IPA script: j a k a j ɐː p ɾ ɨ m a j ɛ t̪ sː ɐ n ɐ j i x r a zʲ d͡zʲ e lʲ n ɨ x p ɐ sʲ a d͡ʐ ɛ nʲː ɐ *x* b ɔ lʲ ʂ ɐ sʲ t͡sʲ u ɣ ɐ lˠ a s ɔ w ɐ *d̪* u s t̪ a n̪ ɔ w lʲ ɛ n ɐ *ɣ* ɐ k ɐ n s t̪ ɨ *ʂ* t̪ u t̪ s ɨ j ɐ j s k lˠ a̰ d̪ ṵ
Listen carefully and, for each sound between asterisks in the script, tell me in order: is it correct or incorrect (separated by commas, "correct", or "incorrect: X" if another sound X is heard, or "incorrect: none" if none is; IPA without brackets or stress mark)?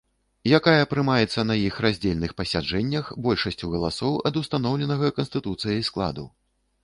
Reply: correct, correct, correct, incorrect: none